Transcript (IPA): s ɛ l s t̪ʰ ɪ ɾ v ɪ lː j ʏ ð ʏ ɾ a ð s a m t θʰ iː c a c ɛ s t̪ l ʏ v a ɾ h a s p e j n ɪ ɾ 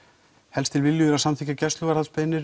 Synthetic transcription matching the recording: h ɛ l s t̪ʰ ɪ l v ɪ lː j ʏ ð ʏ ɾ a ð s a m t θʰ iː c a c ɛ s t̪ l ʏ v a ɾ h a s p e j n ɪ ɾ